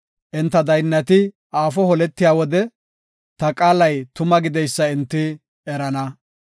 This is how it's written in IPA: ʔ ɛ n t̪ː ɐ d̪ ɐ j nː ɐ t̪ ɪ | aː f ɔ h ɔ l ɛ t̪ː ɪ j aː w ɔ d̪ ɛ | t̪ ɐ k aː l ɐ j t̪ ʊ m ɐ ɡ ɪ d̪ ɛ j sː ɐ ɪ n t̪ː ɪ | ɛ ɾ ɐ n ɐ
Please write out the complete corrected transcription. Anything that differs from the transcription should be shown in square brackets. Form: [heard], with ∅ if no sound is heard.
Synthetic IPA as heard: ʔ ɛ n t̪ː ɐ d̪ ɐ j nː ɐ t̪ ɪ | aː f ɔ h ɔ l ɛ t̪ː ɪ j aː w ɔ d̪ ɛ | t̪ ɐ [kʼ] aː l ɐ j t̪ ʊ m ɐ ɡ ɪ d̪ ɛ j sː ɐ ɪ n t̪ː ɪ | ɛ ɾ ɐ n ɐ